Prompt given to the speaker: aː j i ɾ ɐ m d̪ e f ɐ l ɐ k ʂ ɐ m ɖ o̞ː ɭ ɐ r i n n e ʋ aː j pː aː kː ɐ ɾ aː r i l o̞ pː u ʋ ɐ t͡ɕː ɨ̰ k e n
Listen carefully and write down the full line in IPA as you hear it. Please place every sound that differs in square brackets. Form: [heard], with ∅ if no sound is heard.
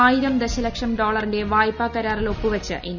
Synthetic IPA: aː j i ɾ ɐ m d̪ e [ɕ] ɐ l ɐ k ʂ ɐ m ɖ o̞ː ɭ ɐ r i n [d] e ʋ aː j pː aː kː ɐ ɾ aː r i l o̞ pː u ʋ ɐ t͡ɕː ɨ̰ [ʔ] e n